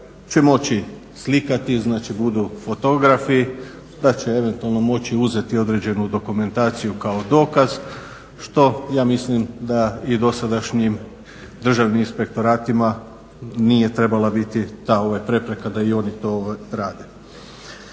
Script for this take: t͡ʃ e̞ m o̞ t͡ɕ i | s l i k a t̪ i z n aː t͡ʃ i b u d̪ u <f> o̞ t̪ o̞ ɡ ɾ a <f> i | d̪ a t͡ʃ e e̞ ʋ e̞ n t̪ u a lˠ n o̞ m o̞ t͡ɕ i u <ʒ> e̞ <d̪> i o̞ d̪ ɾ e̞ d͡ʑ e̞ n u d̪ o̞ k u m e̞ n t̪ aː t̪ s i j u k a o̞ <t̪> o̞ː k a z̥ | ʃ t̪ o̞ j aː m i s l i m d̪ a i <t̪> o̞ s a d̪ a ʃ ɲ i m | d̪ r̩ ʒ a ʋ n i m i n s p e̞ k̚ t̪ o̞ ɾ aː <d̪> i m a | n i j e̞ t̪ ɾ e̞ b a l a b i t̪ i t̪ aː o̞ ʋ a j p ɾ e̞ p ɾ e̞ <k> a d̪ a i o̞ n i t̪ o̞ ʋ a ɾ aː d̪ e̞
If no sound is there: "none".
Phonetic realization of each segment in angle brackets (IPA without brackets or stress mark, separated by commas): f, f, z, t̪, d̪, d̪, t̪, k